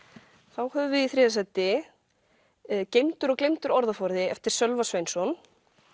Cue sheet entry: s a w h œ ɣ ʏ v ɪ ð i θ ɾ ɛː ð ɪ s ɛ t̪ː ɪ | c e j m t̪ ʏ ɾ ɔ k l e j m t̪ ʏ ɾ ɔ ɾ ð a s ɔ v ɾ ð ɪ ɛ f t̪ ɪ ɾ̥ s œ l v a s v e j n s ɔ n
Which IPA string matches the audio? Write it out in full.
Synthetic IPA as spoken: θ a w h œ v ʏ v ɪ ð i θ ɾ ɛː ð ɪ s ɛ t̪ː ɪ | c e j m t̪ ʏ ɾ ɔ k l e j m t̪ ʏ ɾ ɔ ɾ ð a f ɔ ɾ ð ɪ ɛ f t̪ ɪ ɾ̥ s œ l v a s v e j n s ɔ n